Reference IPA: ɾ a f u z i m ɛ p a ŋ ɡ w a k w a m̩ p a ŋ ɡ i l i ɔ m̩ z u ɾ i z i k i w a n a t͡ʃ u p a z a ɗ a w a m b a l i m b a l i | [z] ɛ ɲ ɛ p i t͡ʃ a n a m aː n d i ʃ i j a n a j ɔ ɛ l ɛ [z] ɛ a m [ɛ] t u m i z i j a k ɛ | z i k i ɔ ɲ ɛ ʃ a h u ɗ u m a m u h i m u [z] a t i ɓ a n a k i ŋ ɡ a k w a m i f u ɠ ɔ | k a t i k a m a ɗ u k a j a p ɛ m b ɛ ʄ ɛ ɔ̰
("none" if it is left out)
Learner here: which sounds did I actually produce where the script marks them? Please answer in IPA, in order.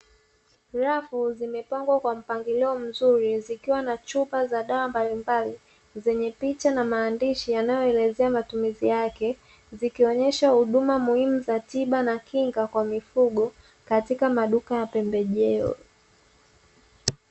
z, z, a, z

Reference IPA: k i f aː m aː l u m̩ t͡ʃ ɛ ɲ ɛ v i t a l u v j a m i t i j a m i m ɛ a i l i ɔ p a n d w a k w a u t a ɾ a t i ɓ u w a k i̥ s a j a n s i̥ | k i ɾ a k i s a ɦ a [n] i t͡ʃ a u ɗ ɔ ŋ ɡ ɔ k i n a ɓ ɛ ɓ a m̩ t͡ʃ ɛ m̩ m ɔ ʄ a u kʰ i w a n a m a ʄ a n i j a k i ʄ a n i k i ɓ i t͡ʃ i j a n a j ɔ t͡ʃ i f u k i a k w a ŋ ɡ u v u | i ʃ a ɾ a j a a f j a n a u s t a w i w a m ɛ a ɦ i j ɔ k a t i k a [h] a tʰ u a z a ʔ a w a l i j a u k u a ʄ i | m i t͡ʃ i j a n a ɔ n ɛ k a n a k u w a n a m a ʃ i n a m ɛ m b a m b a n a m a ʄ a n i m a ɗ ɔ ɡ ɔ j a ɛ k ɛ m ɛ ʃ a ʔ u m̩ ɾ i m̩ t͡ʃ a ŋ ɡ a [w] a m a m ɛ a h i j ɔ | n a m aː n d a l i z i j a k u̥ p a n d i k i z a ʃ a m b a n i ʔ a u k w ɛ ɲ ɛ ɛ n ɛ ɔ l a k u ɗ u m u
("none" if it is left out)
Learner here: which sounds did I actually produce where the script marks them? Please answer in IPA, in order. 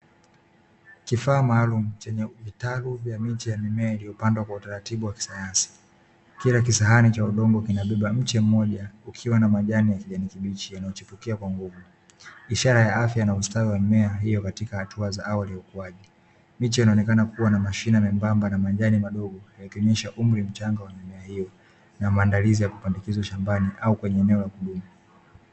n, h, w

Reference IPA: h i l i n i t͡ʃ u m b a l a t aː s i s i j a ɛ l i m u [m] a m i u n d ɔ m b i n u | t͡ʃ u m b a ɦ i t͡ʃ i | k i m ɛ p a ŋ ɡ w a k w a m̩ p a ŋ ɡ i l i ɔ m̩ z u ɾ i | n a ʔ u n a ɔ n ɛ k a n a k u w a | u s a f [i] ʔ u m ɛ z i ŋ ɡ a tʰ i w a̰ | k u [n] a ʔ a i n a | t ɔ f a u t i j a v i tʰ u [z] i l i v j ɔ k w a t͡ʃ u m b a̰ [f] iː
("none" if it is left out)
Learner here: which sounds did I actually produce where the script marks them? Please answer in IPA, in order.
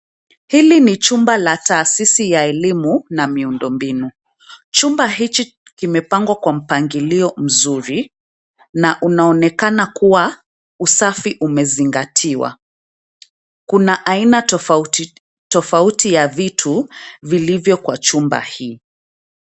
n, i, n, v, h

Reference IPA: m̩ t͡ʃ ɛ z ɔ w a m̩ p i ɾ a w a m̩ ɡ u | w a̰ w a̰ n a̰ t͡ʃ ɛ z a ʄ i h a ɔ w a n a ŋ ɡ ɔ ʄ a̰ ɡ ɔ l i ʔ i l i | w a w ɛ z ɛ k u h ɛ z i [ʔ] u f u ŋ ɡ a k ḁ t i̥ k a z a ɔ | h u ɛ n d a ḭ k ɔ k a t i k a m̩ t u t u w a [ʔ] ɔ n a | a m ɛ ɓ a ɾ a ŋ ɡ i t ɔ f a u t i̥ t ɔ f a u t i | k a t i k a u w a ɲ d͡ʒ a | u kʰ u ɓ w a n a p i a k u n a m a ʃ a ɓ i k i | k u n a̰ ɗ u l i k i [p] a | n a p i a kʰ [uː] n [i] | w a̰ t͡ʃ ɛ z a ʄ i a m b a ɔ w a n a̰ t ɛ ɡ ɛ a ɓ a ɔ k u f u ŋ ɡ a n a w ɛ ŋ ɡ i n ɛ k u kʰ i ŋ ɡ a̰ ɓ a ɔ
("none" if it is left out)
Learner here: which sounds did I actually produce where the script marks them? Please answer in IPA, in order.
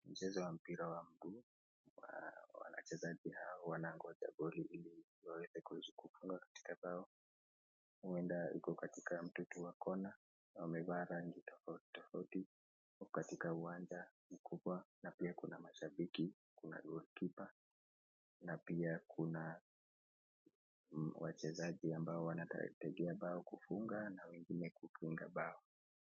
k, k, p, u, a

